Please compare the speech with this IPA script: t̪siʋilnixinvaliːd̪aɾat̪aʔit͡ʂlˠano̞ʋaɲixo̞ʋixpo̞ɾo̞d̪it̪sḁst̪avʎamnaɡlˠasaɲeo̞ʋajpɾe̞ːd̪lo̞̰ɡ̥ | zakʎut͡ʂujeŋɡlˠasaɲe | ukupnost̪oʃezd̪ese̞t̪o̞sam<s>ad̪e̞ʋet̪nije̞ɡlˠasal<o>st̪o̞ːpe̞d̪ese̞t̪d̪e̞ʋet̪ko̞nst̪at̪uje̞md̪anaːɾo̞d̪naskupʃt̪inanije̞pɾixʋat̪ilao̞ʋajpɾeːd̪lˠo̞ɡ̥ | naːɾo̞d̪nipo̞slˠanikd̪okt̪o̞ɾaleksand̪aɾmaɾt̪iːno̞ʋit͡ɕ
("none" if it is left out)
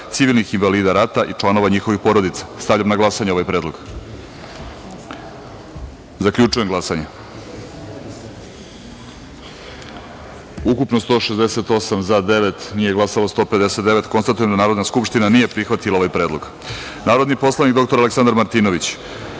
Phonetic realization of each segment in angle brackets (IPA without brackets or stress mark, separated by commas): z, o